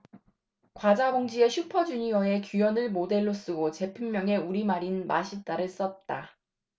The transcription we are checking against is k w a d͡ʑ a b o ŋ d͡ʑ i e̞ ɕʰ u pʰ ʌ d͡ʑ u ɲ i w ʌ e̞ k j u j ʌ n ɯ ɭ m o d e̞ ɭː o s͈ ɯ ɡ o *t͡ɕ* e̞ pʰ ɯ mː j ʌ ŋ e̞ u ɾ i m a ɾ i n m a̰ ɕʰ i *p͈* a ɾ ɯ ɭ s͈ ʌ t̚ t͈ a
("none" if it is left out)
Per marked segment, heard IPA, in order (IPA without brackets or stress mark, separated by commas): t͡ɕ, t͈